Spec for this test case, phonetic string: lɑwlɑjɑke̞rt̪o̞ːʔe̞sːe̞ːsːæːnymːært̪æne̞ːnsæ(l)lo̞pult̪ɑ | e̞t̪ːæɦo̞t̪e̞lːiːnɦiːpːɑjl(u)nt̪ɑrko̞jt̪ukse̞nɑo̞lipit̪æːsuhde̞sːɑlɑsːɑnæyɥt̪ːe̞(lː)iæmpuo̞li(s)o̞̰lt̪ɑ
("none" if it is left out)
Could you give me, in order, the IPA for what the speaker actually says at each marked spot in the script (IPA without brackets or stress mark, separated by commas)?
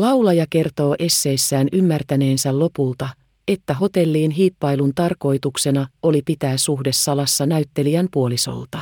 l, u, l, s